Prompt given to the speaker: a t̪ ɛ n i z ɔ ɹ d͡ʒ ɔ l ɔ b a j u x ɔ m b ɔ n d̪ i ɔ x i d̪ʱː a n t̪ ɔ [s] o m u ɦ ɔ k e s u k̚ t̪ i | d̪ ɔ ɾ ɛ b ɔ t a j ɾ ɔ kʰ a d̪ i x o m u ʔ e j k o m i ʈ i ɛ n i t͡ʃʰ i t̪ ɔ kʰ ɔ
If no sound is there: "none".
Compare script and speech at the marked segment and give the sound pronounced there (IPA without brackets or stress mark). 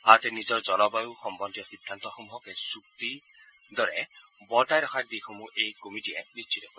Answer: x